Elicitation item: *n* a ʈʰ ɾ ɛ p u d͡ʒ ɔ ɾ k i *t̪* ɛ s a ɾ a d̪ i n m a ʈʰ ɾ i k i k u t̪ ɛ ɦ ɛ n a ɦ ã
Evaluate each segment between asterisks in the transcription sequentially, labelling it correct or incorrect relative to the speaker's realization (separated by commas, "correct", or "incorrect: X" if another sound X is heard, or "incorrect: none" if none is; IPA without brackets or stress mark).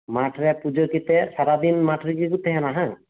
incorrect: m, correct